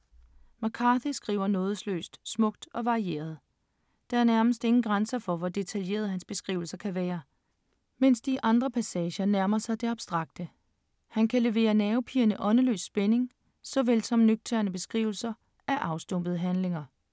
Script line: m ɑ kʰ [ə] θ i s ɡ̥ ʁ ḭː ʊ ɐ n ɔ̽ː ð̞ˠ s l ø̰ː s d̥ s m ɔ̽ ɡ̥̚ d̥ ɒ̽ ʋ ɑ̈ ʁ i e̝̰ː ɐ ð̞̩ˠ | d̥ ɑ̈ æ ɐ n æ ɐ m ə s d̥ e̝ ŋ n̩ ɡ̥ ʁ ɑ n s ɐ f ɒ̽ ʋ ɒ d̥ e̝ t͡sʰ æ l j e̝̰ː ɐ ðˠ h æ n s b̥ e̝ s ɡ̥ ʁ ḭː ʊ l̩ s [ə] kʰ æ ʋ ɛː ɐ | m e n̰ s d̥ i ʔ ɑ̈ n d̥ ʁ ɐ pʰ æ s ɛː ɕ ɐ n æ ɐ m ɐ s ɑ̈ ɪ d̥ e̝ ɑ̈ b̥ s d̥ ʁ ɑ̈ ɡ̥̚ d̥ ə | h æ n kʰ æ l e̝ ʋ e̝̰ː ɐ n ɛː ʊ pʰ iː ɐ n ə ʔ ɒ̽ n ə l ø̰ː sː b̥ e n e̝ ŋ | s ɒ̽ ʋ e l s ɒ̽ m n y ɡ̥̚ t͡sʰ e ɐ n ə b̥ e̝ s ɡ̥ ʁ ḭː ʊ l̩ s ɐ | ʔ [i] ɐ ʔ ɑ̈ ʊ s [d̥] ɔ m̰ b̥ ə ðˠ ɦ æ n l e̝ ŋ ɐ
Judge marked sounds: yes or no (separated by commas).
no, no, no, yes